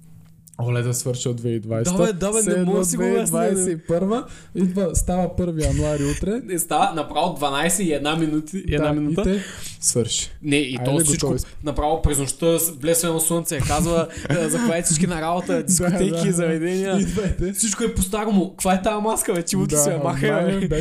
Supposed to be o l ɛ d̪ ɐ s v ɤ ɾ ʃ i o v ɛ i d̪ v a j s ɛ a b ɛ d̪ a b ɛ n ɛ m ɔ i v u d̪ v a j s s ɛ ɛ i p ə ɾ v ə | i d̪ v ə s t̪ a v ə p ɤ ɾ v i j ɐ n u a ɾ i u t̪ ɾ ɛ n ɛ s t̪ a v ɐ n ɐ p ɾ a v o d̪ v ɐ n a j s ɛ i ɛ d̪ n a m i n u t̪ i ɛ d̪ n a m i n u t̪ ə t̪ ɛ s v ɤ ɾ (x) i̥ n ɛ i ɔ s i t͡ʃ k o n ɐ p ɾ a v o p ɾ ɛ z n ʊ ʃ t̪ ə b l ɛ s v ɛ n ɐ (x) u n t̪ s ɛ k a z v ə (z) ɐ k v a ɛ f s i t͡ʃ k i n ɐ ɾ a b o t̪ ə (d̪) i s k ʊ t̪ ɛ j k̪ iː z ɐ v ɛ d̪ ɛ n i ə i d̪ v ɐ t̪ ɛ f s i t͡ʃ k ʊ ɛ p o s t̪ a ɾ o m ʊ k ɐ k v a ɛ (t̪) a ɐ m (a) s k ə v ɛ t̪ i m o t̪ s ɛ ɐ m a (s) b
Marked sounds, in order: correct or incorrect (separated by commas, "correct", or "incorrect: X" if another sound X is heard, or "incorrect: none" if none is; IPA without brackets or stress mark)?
incorrect: ʃ, incorrect: s, correct, correct, correct, correct, incorrect: x